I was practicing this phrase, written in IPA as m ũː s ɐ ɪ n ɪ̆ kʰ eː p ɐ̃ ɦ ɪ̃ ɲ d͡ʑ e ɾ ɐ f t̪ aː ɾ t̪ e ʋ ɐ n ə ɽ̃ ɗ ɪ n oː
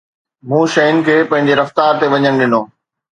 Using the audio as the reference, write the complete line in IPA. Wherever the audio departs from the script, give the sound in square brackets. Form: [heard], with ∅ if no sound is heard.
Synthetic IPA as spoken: m ũː [ʃ] ɐ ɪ n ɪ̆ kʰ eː p ɐ̃ ɦ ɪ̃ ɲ d͡ʑ e ɾ ɐ f t̪ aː ɾ t̪ e ʋ ɐ [ɲ] ə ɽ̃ ɗ ɪ n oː